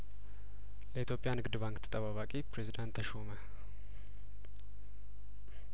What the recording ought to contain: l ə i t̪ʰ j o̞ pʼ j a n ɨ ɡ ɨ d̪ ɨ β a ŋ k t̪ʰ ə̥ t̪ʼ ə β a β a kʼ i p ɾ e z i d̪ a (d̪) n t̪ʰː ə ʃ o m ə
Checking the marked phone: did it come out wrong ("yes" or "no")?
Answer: yes